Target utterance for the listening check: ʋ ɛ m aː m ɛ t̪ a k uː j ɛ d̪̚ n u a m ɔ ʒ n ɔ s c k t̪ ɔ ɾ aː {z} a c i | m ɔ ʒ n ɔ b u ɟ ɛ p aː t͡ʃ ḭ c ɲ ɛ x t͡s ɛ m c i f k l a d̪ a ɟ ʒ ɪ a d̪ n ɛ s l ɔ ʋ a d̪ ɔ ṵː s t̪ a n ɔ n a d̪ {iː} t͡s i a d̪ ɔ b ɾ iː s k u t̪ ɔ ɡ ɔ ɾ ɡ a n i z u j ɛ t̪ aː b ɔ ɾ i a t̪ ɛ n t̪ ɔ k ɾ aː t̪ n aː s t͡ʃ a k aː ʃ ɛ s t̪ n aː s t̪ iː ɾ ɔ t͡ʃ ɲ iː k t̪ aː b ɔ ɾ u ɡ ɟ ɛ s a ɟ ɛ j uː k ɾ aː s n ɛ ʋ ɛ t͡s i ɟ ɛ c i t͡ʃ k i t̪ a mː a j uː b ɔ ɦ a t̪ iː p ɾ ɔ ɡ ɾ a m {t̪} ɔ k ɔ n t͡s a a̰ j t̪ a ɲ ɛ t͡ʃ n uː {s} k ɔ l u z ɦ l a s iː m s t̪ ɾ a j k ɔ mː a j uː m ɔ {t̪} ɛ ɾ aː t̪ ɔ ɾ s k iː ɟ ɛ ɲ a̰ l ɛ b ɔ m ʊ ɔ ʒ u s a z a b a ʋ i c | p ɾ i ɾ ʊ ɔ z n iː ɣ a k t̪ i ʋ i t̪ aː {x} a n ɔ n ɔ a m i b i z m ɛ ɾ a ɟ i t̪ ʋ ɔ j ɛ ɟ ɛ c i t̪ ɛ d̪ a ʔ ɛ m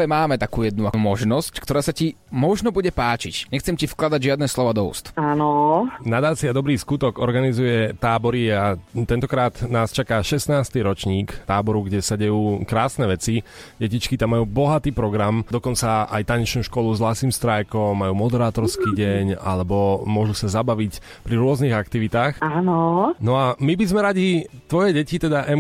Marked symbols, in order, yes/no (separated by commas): no, no, no, no, no, yes